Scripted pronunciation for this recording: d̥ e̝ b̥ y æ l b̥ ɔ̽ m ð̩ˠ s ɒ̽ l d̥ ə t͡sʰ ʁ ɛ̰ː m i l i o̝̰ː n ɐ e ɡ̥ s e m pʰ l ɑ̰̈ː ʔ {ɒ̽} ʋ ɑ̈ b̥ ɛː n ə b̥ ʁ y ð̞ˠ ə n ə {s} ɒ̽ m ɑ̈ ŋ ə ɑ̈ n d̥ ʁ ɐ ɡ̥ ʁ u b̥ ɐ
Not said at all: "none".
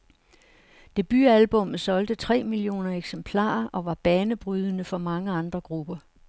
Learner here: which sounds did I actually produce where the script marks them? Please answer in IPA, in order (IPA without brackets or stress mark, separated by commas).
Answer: ɒ̽, f